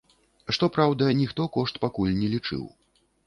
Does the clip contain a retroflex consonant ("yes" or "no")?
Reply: yes